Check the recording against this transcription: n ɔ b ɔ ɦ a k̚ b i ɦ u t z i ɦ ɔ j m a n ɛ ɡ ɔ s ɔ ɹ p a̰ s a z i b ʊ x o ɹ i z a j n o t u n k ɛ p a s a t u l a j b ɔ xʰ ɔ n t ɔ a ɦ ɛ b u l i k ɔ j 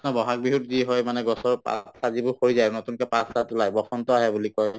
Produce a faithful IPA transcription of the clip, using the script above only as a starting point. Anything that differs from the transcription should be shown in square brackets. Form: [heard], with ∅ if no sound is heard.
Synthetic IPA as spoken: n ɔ b ɔ ɦ a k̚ b i ɦ u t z i ɦ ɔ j m a n ɛ ɡ ɔ s ɔ ɹ p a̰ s a z i b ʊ x o ɹ i z a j n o t u n k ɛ p a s a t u l a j b ɔ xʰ ɔ n t ɔ a ɦ ɛ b u l i k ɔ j